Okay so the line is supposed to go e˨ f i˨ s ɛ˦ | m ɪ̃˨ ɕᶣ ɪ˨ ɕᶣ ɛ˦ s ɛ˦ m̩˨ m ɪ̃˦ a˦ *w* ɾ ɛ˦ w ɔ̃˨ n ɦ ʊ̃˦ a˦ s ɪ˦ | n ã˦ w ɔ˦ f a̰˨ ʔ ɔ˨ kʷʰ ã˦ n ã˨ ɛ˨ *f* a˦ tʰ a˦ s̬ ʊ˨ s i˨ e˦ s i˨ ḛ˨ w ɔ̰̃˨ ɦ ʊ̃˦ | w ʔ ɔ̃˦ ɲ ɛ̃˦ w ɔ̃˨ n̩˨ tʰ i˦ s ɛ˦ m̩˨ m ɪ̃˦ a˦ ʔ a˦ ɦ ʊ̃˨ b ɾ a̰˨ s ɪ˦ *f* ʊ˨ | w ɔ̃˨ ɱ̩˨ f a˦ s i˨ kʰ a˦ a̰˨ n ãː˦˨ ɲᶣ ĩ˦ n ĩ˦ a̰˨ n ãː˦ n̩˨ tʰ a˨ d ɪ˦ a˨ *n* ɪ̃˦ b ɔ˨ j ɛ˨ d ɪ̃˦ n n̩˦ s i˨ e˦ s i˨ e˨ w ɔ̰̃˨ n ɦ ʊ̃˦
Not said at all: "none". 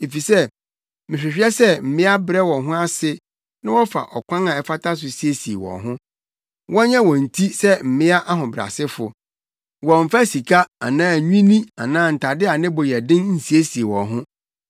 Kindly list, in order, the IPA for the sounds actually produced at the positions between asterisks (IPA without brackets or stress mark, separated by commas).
b, f, f, n